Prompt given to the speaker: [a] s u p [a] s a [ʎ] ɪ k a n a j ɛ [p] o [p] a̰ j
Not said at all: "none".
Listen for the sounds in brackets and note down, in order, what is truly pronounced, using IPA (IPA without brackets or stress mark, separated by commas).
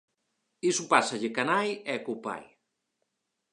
i, a, ʎ, k, p